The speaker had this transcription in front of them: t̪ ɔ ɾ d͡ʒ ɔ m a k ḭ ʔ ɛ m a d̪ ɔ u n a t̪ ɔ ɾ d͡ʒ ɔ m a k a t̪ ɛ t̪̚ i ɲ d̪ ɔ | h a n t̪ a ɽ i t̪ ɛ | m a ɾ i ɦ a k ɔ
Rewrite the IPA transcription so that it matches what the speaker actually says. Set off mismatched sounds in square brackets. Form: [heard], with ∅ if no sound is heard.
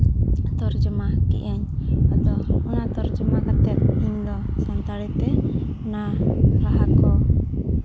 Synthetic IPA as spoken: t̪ ɔ ɾ d͡ʒ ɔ m a k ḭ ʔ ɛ [ɲ] a d̪ ɔ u n a t̪ ɔ ɾ d͡ʒ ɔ m a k a t̪ ɛ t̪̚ i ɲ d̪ ɔ | [s] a n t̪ a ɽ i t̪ ɛ | [n] a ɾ [a] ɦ a k ɔ